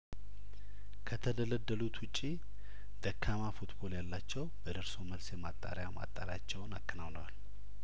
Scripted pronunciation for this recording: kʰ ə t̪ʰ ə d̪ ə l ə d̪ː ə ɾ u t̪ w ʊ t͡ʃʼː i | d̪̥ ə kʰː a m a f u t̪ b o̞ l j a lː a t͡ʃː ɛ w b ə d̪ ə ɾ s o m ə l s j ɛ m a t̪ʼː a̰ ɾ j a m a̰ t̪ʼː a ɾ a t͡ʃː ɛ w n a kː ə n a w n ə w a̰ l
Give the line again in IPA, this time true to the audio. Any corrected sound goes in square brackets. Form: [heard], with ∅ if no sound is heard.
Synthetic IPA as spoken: kʰ ə t̪ʰ ə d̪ ə l ə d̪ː ə [l] u t̪ w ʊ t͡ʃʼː i | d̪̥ ə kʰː a m a f u t̪ b o̞ l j a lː a t͡ʃː ɛ w b ə d̪ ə ɾ s o m ə l s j ɛ m a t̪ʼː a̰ ɾ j a m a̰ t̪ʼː a ɾ a t͡ʃː ɛ w n a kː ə n a w n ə w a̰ l